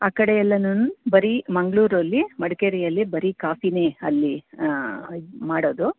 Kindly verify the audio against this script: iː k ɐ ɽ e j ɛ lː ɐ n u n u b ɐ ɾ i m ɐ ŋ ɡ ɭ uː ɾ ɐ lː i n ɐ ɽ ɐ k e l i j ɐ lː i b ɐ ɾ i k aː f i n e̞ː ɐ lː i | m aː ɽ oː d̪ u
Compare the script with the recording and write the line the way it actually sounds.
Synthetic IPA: aː k ɐ ɽ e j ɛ lː ɐ n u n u b ɐ ɾ i m ɐ ŋ ɡ ɭ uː ɾ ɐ lː i m ɐ ɽ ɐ k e ɾ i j ɐ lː i b ɐ ɾ i k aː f i n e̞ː ɐ lː i | m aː ɽ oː d̪ u